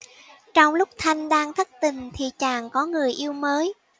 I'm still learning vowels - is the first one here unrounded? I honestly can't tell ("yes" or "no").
no